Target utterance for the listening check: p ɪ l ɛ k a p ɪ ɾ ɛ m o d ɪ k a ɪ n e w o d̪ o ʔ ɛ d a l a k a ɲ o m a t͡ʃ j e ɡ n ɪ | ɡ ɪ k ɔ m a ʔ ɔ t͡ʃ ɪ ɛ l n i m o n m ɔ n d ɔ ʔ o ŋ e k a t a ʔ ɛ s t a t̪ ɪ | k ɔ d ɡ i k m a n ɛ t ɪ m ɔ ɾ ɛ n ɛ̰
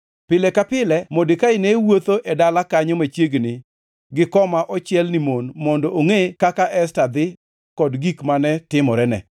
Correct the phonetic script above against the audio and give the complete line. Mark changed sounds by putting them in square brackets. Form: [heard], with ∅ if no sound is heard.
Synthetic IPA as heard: p ɪ l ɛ k a p ɪ [l] ɛ m o d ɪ k a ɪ n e w o [t̪] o ʔ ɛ d a l a k a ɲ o m a t͡ʃ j e ɡ n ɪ | ɡ ɪ k ɔ m a ʔ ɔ t͡ʃ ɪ ɛ l n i m o n m ɔ n d ɔ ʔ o ŋ e k a [k] a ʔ ɛ s t a [d̪] ɪ | k ɔ d ɡ i k m a n ɛ t ɪ m ɔ ɾ ɛ n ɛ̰